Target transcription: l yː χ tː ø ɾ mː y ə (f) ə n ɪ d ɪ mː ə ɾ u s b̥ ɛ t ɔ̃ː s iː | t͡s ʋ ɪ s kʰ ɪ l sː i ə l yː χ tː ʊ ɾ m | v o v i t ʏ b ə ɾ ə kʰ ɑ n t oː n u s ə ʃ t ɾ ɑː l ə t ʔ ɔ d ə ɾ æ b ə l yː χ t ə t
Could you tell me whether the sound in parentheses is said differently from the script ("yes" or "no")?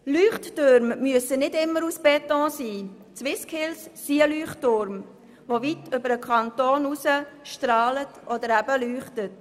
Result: yes